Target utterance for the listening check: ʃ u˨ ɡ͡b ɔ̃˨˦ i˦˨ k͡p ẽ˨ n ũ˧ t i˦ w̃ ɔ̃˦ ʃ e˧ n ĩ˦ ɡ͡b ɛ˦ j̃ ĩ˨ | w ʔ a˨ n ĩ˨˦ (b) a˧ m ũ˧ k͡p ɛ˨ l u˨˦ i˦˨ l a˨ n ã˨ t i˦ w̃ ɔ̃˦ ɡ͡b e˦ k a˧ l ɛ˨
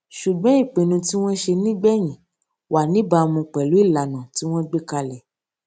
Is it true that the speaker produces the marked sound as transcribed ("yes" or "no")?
yes